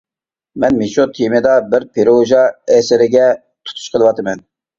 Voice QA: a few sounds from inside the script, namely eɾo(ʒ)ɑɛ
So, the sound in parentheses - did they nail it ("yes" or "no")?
yes